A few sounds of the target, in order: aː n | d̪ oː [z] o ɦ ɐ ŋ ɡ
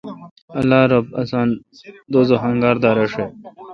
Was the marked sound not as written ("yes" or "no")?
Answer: no